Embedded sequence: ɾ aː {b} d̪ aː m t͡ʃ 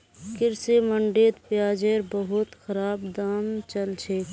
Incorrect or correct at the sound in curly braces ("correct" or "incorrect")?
correct